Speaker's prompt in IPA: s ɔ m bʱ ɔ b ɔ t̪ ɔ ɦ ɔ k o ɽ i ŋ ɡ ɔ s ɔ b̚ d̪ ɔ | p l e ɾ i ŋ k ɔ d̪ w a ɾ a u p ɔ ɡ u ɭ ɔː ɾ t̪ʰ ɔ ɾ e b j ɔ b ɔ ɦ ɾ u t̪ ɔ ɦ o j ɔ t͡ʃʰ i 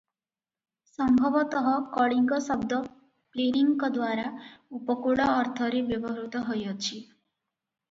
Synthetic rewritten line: s ɔ m bʱ ɔ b ɔ t̪ ɔ ɦ ɔ k ɔ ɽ i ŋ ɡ ɔ s ɔ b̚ d̪ ɔ | p l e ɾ i ŋ k ɔ d̪ w a ɾ a u p ɔ k u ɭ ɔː ɾ t̪ʰ ɔ ɾ e b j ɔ b ɔ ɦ ɾ u t̪ ɔ ɦ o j ɔ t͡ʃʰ i

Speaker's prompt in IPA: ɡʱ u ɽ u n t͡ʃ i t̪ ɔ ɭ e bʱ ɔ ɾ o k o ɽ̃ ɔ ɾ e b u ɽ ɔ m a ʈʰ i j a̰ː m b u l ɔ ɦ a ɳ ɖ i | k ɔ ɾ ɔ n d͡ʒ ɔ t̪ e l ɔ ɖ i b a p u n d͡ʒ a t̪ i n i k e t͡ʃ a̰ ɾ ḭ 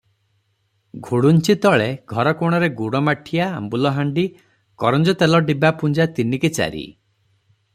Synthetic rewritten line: ɡʱ u ɽ u n t͡ʃ i t̪ ɔ ɭ e ɡʱ ɔ ɾ ɔ k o ɽ̃ ɔ ɾ e ɡ u ɽ ɔ m a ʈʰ i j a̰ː m b u l ɔ ɦ a ɳ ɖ i | k ɔ ɾ ɔ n d͡ʒ ɔ t̪ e l ɔ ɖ i b a p u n d͡ʒ a t̪ i n i k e t͡ʃ a̰ ɾ ḭ

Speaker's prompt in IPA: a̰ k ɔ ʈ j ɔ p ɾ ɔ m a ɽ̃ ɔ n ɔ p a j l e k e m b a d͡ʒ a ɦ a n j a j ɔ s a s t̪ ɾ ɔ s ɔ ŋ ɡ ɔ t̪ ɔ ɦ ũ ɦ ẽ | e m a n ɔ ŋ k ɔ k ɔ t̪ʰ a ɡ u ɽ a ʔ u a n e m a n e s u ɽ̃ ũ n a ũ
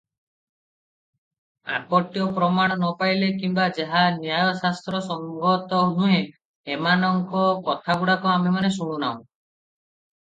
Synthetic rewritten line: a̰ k ɔ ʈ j ɔ p ɾ ɔ m a ɽ̃ ɔ n ɔ p a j l e k i m b a d͡ʒ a ɦ a n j a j ɔ s a s t̪ ɾ ɔ s ɔ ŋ ɡ ɔ t̪ ɔ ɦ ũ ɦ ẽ | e m a n ɔ ŋ k ɔ k ɔ t̪ʰ a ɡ u ɽ a k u a m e m a n e s u ɽ̃ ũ n a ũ

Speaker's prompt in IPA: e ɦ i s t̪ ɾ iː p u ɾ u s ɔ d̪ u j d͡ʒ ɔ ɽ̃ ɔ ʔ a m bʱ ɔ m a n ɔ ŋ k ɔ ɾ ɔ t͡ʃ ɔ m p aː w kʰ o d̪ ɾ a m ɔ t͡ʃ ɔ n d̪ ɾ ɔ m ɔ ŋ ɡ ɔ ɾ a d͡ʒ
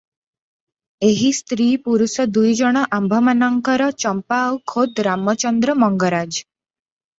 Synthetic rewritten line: e ɦ i s t̪ ɾ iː p u ɾ u s ɔ d̪ u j d͡ʒ ɔ ɽ̃ ɔ ʔ a m bʱ ɔ m a n ɔ ŋ k ɔ ɾ ɔ t͡ʃ ɔ m p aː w kʰ o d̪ ɾ a m ɔ t͡ʃ ɔ n d̪ ɾ ɔ m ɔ ŋ ɡ ɔ ɾ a d͡ʒ

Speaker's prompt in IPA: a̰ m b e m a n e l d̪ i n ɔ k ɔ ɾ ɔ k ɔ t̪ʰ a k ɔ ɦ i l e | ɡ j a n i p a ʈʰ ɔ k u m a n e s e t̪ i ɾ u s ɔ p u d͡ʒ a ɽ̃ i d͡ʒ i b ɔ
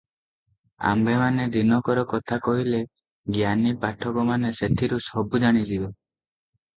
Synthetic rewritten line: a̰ m b e m a n e d̪ i n ɔ k ɔ ɾ ɔ k ɔ t̪ʰ a k ɔ ɦ i l e | ɡ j a n i p a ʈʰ ɔ k ɔ m a n e s e t̪ʰ i ɾ u s ɔ b u d͡ʒ a ɽ̃ i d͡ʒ i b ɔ

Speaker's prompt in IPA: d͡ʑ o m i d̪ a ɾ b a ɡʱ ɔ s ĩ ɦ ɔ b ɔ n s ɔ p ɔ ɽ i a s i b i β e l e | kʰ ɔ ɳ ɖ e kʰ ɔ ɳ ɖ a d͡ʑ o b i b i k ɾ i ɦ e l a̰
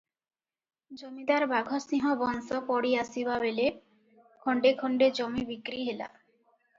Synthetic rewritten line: d͡ʑ o m i d̪ a ɾ b a ɡʱ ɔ s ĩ ɦ ɔ b ɔ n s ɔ p ɔ ɽ i a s i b a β e l e | kʰ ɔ ɳ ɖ e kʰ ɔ ɳ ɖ e d͡ʑ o m i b i k ɾ i ɦ e l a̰

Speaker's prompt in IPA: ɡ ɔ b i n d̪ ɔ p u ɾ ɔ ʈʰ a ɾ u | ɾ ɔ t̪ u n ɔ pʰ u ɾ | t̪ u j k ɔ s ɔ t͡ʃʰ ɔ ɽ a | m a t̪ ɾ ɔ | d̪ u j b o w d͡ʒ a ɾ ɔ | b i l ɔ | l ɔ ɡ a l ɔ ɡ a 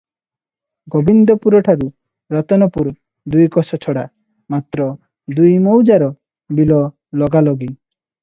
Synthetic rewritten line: ɡ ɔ b i n d̪ ɔ p u ɾ ɔ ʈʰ a ɾ u | ɾ ɔ t̪ ɔ n ɔ p u ɾ | d̪ u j k ɔ s ɔ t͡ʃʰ ɔ ɽ a | m a t̪ ɾ ɔ | d̪ u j m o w d͡ʒ a ɾ ɔ | b i l ɔ | l ɔ ɡ a l ɔ ɡ i

